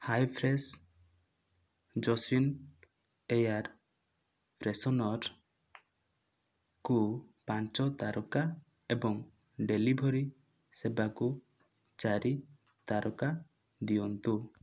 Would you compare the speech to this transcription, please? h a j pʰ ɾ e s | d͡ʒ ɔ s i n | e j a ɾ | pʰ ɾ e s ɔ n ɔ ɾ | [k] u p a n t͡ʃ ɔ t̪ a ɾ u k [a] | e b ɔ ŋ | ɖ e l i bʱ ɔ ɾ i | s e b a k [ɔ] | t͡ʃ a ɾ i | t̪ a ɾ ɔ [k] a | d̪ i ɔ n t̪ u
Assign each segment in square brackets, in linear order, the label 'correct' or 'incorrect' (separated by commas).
correct, correct, incorrect, correct